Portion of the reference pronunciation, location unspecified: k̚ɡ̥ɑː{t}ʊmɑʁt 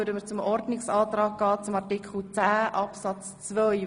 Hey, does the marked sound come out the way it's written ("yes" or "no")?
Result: no